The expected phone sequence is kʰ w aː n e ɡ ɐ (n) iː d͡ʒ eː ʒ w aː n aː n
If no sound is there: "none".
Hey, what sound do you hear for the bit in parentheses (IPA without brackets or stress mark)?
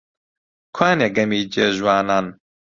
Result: m